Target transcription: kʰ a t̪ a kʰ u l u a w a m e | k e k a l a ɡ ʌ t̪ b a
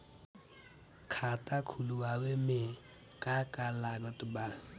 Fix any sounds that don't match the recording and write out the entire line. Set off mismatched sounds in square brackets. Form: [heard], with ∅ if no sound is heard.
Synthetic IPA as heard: kʰ a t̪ a kʰ u l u a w [e] m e | k [a] k a l a ɡ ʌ t̪ b a